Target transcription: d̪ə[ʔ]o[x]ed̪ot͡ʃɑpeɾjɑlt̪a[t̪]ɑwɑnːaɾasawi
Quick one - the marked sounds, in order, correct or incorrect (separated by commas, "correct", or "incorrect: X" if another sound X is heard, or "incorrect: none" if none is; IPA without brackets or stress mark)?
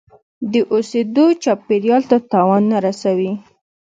correct, incorrect: s, correct